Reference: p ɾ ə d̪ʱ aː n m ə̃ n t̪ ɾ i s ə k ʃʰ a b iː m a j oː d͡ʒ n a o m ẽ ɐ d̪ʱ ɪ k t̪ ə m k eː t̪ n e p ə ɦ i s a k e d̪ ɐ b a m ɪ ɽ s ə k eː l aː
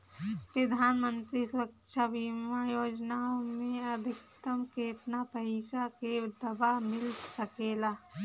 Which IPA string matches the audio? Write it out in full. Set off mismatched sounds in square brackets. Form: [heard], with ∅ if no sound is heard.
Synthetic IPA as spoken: p ɾ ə d̪ʱ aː n m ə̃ n t̪ ɾ i s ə k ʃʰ a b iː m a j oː d͡ʒ n a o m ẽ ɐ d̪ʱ ɪ k t̪ ə m k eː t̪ n [a] p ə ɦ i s a k e d̪ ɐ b a m ɪ [l] s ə k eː l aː